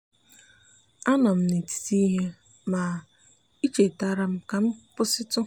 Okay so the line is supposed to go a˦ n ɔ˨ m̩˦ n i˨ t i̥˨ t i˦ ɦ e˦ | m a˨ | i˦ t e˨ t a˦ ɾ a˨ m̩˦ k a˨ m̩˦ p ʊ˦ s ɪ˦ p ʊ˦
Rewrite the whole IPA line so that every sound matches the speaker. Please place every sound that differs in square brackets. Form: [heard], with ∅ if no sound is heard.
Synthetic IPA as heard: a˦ n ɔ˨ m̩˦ n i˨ t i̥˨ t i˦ ɦ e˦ | m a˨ | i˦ [t͡ʃ] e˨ t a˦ ɾ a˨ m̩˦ k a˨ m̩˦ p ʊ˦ s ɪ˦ [t] ʊ˦